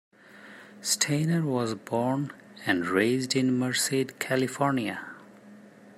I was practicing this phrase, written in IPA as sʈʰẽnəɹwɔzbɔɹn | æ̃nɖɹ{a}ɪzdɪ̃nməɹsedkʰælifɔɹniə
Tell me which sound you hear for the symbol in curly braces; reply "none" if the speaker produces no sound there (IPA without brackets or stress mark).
e